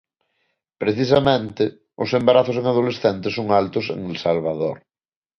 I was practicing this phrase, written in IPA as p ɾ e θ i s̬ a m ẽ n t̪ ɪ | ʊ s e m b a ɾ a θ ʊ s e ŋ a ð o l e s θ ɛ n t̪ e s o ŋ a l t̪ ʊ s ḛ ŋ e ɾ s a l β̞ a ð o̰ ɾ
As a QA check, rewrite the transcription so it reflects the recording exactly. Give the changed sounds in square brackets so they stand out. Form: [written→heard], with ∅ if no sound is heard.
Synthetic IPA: p ɾ e θ i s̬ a m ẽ n t̪ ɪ | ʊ s e m b a ɾ a θ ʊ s e ŋ a ð o l e s θ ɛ n t̪ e s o ŋ a l t̪ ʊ s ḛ ŋ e [ɾ→l] s a l β̞ a ð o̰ ɾ